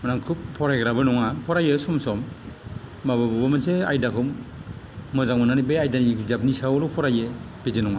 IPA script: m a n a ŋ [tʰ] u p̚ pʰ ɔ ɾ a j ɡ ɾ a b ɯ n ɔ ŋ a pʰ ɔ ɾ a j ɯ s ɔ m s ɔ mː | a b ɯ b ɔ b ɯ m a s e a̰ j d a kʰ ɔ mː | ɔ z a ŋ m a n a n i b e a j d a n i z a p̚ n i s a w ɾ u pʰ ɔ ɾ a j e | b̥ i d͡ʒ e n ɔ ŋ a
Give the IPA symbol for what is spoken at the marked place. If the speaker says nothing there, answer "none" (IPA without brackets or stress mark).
kʰ